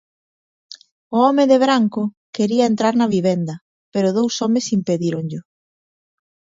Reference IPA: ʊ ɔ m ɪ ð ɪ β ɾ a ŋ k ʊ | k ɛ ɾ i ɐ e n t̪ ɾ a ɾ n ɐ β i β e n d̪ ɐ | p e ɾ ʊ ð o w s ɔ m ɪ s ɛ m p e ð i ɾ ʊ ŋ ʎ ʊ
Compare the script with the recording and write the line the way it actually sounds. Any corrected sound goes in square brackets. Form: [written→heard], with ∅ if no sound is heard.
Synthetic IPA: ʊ ɔ m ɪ ð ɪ β ɾ a ŋ k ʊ | k [ɛ→e] ɾ i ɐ e n t̪ ɾ a ɾ n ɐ β i β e n d̪ ɐ | p e ɾ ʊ ð o w s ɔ m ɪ s [ɛ→i] m p e ð i ɾ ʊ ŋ ʎ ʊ

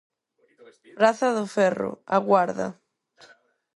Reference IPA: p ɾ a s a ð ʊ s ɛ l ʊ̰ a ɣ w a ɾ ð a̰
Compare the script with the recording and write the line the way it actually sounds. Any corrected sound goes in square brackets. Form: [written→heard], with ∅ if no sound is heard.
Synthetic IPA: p ɾ a [s→θ] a ð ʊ [s→f] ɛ [l→r] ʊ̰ a ɣ w a ɾ ð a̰

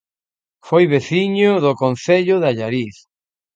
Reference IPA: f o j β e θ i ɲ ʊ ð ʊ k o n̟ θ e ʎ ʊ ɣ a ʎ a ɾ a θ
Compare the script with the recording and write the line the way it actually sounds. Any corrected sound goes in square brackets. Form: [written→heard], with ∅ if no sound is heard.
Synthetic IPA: f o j β e θ i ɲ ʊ ð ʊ k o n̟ θ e ʎ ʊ [ɣ→ð] a ʎ a ɾ [a→i] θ

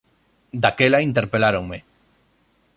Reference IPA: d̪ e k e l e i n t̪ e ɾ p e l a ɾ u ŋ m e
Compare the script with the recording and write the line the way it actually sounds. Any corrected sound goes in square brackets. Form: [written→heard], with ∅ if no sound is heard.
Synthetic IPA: d̪ [e→a] k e l [e→a] i n t̪ e ɾ p e l a ɾ [u→o] ŋ m e

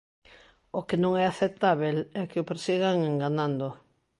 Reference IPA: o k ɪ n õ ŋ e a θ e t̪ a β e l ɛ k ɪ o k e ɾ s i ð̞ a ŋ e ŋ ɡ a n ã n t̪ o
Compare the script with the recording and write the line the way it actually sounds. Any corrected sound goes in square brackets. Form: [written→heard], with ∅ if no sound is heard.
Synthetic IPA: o k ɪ n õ ŋ [e→ɛ] a θ e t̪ a β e l ɛ k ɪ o [k→p] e ɾ s i [ð̞→ɣ̞] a ŋ e ŋ ɡ a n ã n [t̪→d̪] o

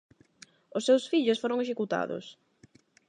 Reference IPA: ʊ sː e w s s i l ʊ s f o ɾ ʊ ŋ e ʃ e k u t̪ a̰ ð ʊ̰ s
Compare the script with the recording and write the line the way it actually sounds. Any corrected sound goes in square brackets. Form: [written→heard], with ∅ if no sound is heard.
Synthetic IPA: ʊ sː e w s [s→f] i [l→ʎ] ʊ s f o ɾ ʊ ŋ e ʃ e k u t̪ a̰ ð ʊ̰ s

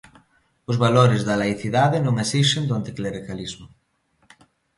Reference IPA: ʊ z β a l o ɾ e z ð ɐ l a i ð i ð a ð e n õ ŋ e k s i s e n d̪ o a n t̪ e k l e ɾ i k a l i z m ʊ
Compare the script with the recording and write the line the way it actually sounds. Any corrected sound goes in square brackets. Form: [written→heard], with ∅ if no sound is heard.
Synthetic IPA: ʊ z β a l o ɾ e z ð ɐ l a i [ð→θ] i ð a ð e n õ ŋ e [k→∅] s i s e n d̪ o a n t̪ [e→i] k l e ɾ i k a l i z m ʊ

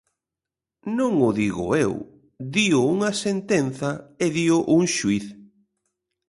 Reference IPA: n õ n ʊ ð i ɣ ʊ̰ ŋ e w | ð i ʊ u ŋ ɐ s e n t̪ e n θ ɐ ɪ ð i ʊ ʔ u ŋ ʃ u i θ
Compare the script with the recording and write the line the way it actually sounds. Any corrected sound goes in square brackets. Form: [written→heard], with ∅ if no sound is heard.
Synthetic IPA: n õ [n→ŋ] ʊ ð i ɣ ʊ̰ [ŋ→∅] e w | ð i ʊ u ŋ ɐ s e n t̪ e n θ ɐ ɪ ð i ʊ ʔ u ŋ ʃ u i θ

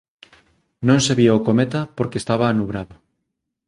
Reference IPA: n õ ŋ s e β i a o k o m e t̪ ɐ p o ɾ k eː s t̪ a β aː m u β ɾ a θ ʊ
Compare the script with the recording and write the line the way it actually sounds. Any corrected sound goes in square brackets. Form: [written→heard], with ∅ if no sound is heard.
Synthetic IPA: n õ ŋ s e β i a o k o m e t̪ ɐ p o ɾ k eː s t̪ a β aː [m→n] u β ɾ a [θ→ð] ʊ

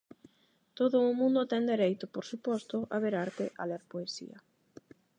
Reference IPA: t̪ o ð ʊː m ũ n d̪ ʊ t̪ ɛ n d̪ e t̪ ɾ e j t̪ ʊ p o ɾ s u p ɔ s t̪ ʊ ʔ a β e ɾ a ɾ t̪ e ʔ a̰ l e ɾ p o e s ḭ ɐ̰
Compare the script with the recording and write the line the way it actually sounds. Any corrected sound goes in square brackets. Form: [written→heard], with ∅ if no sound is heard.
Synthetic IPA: t̪ o ð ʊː m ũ n d̪ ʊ t̪ ɛ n d̪ e [t̪→∅] ɾ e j t̪ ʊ p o ɾ s u p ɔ s t̪ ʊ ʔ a β e ɾ a ɾ t̪ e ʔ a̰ l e ɾ p o e s ḭ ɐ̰

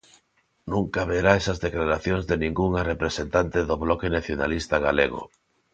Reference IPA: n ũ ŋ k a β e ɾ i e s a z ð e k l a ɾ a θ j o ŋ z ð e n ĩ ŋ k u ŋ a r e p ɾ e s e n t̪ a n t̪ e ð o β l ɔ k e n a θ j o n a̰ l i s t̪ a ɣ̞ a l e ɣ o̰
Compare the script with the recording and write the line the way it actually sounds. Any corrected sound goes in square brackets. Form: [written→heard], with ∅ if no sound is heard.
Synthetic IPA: n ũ ŋ k a β e ɾ [i→a] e s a z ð e k l a ɾ a θ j o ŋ z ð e n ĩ ŋ [k→ɡ] u ŋ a r e p ɾ e s e n t̪ a n t̪ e ð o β l ɔ k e n a θ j o n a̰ l i s t̪ a ɣ̞ a l e ɣ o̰

